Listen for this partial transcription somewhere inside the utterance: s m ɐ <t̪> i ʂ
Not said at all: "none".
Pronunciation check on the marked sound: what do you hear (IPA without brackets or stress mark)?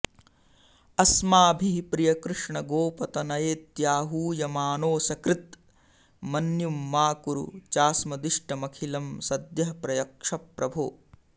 d̪